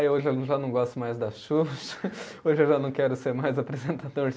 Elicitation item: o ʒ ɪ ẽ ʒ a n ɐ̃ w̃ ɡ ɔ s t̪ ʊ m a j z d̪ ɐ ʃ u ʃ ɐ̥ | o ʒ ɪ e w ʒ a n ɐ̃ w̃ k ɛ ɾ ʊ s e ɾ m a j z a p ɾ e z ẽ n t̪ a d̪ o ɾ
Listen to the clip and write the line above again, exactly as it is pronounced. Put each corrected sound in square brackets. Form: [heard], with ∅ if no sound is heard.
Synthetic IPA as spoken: o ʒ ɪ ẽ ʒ a n ɐ̃ w̃ ɡ ɔ s t̪ ʊ m a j z d̪ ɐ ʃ u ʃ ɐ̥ | o ʒ ɪ e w ʒ a n ɐ̃ w̃ k ɛ ɾ ʊ s e ɾ m a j z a p ɾ e z ẽ n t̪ a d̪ o ɾ